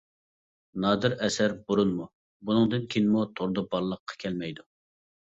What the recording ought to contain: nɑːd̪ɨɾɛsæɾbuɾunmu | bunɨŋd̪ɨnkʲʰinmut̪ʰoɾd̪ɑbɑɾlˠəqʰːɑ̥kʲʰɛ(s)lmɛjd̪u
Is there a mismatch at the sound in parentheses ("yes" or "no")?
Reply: yes